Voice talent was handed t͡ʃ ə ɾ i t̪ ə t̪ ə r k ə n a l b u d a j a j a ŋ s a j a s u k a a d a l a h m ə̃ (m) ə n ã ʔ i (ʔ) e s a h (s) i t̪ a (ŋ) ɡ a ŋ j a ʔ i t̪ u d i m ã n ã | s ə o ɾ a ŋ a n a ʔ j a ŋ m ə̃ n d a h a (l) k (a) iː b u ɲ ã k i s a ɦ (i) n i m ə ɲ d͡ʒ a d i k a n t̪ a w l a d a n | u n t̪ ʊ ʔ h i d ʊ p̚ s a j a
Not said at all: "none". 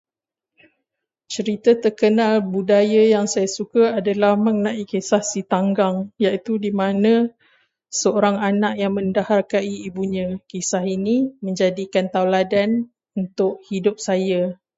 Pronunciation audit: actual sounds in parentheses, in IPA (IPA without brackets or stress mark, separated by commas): ŋ, k, s, ŋ, r, a, i